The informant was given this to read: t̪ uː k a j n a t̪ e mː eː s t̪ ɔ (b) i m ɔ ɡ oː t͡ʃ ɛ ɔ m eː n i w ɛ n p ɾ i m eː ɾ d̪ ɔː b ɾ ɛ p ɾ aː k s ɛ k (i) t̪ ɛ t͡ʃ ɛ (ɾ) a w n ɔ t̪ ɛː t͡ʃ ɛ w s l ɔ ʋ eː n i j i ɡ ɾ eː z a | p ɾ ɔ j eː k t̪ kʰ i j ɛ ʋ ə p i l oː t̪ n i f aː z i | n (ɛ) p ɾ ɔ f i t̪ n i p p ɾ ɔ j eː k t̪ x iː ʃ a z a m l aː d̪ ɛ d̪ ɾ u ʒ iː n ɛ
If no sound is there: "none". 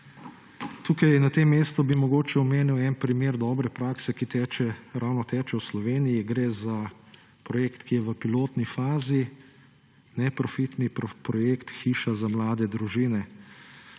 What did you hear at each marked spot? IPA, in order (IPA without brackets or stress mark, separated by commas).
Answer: b, i, ɾ, ɛ